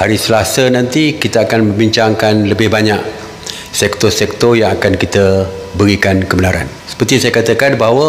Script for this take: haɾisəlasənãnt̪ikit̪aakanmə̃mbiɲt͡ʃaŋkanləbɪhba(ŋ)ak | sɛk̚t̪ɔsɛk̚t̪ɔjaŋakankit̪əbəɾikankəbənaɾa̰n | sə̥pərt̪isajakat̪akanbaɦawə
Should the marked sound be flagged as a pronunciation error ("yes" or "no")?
yes